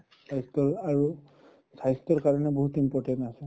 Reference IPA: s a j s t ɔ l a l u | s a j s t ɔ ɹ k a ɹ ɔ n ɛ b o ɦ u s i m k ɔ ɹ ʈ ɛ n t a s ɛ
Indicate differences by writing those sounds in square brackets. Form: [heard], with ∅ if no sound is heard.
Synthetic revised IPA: s a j s t ɔ [ɹ] a [ɹ] u | s a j s t ɔ ɹ k a ɹ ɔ n ɛ b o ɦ u [t] i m [p] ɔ ɹ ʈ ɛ n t a s ɛ